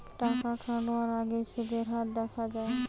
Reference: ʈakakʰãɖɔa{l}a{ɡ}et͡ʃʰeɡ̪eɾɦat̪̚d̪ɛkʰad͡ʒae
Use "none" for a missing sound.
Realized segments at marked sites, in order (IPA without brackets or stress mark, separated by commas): ɾ, ɡ